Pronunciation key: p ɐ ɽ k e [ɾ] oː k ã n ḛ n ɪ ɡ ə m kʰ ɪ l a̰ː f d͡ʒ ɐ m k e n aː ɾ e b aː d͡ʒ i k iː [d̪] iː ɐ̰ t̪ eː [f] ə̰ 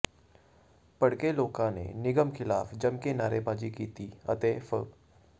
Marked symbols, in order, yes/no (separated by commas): no, no, yes